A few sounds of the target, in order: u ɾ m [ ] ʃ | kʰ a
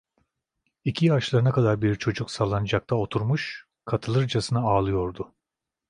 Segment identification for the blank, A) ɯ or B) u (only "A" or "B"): B